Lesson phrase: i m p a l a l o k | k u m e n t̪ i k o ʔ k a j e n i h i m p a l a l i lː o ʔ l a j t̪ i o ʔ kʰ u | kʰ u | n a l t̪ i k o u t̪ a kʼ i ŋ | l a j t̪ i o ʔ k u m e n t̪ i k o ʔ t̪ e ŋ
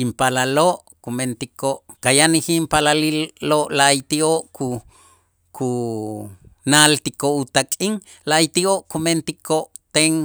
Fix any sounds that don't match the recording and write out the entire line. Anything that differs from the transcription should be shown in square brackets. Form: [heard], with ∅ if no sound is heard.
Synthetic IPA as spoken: i m p a l a l o [ʔ] | k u m e n t̪ i k o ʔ k a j [a] n i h i m p a l a l i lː o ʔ l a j t̪ i o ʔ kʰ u | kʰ u | n a l t̪ i k o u t̪ a kʼ i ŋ | l a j t̪ i o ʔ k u m e n t̪ i k o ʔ t̪ e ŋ